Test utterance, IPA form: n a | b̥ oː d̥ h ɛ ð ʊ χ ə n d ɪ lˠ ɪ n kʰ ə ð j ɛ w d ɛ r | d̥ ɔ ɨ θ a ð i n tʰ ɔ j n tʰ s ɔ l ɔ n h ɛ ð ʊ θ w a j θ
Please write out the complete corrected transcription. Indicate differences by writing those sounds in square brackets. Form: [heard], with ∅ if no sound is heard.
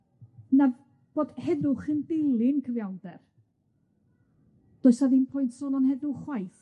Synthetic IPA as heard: n a | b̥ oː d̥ h ɛ ð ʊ χ ə n d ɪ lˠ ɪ n kʰ ə [v] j [a] w d ɛ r | d̥ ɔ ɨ [s] a ð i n [pʰ] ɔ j n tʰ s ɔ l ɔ n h ɛ ð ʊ [χ] w a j θ